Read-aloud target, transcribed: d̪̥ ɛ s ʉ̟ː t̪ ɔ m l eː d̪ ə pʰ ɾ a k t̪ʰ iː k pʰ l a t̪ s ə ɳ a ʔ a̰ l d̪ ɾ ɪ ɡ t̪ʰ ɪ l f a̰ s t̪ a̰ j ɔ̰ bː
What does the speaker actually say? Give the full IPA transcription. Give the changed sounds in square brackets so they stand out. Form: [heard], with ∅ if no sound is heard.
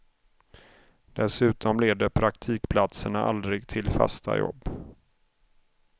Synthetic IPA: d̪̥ ɛ s ʉ̟ː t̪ ɔ m l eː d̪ ə pʰ ɾ a k t̪ʰ iː k pʰ l a t̪ s ə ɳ a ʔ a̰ l d̪ ɾ ɪ ɡ t̪ʰ ɪ l f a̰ s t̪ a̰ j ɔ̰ bː